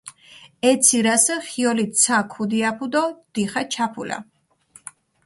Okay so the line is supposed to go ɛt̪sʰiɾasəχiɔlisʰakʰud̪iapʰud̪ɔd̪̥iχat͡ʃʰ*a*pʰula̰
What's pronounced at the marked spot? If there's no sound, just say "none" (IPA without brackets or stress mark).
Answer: a